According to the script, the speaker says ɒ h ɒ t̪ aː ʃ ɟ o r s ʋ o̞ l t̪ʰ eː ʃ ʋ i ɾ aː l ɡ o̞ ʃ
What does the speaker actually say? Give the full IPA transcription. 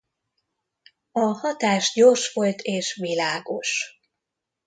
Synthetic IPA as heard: ɒ h ɒ t̪ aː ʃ ɟ o r ʃ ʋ o̞ l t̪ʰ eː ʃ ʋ i l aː ɡ o̞ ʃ